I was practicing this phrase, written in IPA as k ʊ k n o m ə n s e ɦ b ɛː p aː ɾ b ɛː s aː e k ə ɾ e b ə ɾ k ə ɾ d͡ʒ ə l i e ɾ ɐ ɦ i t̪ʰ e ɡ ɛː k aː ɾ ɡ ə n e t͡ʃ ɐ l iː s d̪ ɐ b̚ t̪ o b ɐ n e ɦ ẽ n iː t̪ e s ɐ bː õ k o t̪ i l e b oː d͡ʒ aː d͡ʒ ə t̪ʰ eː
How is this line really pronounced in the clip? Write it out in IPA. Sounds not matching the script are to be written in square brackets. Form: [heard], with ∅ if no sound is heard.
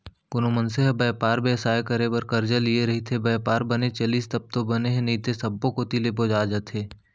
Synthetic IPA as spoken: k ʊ [∅] n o m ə n s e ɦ b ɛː p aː ɾ b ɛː s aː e k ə ɾ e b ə ɾ k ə ɾ d͡ʒ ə l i e ɾ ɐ ɦ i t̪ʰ e [b] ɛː [p] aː ɾ [b] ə n e t͡ʃ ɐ l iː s [t̪] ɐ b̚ t̪ o b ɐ n e ɦ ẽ n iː t̪ e s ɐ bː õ k o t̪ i l e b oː d͡ʒ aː d͡ʒ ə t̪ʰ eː

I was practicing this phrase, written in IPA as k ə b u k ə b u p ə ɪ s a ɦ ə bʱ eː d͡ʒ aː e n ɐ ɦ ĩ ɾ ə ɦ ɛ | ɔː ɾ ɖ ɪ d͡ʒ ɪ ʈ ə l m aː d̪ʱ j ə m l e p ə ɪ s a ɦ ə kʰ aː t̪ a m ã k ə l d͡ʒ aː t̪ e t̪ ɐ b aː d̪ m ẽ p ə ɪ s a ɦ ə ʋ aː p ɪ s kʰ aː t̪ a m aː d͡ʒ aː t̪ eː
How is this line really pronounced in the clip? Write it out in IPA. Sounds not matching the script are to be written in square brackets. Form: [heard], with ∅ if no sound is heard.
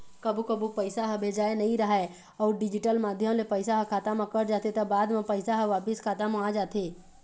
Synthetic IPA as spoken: k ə b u k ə b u p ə ɪ s a ɦ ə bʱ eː d͡ʒ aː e n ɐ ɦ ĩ ɾ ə ɦ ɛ | ɔː ɾ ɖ ɪ d͡ʒ ɪ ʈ ə l m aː d̪ʱ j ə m l e p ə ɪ s a ɦ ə kʰ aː t̪ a m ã k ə [ɾ] d͡ʒ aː t̪ e t̪ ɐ b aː d̪ m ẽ p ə ɪ s a ɦ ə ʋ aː p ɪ s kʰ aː t̪ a m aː d͡ʒ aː t̪ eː

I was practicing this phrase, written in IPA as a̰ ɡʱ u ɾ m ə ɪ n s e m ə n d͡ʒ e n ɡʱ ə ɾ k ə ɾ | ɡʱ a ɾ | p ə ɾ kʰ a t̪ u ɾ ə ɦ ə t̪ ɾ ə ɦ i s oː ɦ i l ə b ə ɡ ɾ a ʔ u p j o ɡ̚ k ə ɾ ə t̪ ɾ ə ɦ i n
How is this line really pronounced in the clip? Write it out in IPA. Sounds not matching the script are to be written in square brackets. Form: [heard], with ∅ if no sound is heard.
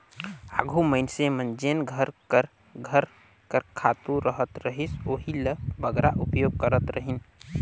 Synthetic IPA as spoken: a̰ ɡʱ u [∅] m ə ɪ n s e m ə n d͡ʒ e n ɡʱ ə ɾ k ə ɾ | ɡʱ [ə] ɾ | [k] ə ɾ kʰ a t̪ u ɾ ə ɦ ə t̪ ɾ ə ɦ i s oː ɦ i l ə b ə ɡ ɾ a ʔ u p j o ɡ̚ k ə ɾ ə t̪ ɾ ə ɦ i n

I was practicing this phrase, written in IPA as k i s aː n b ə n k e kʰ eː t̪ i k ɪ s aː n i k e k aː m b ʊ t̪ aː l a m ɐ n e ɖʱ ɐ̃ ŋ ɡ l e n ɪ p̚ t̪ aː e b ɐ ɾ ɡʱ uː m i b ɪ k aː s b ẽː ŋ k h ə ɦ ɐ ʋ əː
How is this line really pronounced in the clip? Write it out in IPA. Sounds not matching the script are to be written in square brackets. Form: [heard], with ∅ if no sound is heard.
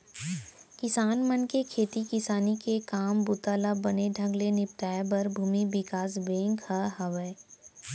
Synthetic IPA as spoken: k [ɪ] s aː n [m] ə n k e kʰ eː t̪ i k ɪ s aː n i k e k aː m b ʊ t̪ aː l a [b] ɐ n e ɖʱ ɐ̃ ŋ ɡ l e n ɪ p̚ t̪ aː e b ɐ ɾ [bʱ] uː m i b ɪ k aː s b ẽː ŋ k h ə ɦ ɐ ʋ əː

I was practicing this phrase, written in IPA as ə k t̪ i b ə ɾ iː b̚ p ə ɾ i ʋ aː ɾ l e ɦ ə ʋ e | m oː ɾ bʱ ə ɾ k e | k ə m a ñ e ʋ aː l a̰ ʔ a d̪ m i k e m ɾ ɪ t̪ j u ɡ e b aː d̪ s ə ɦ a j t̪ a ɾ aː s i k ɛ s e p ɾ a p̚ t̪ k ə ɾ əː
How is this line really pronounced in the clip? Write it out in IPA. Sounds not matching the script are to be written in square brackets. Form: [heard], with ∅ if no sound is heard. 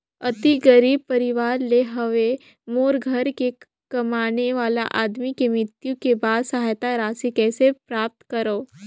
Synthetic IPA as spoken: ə [∅] t̪ i [ɡ] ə ɾ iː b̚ p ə ɾ i ʋ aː ɾ l e ɦ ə ʋ e | m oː ɾ [ɡʱ] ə ɾ k e | k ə m a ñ e ʋ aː l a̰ ʔ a d̪ m i k e m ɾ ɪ t̪ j u [k] e b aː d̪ s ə ɦ a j t̪ a ɾ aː s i k ɛ s e p ɾ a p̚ t̪ k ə ɾ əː

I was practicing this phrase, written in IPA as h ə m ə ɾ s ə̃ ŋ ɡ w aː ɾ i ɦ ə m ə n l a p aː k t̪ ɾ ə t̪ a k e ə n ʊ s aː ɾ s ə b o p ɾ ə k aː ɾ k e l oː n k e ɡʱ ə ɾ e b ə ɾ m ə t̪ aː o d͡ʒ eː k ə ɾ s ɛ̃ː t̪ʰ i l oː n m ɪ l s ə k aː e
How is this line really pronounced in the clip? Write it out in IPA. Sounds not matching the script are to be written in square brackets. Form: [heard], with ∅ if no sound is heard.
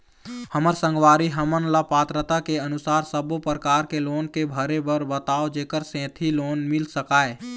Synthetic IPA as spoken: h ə m ə ɾ s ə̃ ŋ ɡ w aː ɾ i ɦ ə m ə n l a p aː [∅] t̪ ɾ ə t̪ a k e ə n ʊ s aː ɾ s ə b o p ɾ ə k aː ɾ k e l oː n k e [bʱ] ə ɾ e b ə ɾ [b] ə t̪ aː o d͡ʒ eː k ə ɾ s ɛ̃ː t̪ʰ i l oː n m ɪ l s ə k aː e

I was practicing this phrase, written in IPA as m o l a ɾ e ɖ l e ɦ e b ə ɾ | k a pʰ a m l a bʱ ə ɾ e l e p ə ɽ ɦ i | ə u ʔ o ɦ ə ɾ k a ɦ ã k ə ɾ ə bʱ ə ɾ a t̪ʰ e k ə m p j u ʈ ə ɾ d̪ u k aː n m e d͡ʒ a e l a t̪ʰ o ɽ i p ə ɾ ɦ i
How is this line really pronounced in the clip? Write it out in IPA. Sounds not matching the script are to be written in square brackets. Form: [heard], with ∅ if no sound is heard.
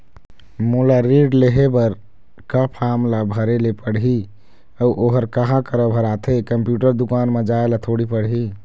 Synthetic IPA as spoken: m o l a ɾ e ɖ l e ɦ e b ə ɾ | k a pʰ a m l a bʱ ə ɾ e l e p ə ɽ ɦ i | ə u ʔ o ɦ ə ɾ k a ɦ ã k ə ɾ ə bʱ ə ɾ a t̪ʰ e k ə m p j u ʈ ə ɾ d̪ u k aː n m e d͡ʒ a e l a t̪ʰ o ɽ i p ə [ɽ] ɦ i

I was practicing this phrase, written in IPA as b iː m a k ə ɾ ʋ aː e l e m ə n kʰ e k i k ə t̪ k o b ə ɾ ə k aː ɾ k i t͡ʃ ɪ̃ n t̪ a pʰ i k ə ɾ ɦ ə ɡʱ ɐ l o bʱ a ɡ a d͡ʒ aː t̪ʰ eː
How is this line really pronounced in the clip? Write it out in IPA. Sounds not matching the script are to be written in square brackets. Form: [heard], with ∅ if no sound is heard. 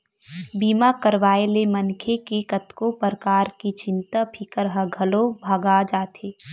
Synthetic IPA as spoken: b iː m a k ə ɾ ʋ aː e l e m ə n kʰ e k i k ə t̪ k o [p] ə ɾ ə k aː ɾ k i t͡ʃ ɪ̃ n t̪ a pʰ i k ə ɾ ɦ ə ɡʱ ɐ l o bʱ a ɡ a d͡ʒ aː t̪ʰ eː

